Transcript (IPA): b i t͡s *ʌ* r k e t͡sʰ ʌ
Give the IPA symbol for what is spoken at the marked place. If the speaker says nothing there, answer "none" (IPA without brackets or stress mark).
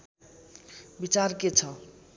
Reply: a